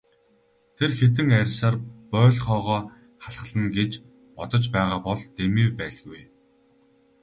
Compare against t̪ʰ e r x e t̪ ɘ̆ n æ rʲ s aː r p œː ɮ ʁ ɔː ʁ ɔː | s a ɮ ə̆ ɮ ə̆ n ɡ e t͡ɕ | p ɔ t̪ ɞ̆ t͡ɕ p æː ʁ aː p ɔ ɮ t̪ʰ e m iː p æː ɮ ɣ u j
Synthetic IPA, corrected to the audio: t̪ʰ e r x e t̪ ɘ̆ ŋ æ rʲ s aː r p œː ɮ χ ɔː ʁ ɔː | χ a ɮ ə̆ ɮ ə̆ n ɡ e t͡ɕ | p ɔ t̪ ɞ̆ t͡ɕ p æː ʁ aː p ɔ ɮ t̪ e m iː p æː ɮ ɣ u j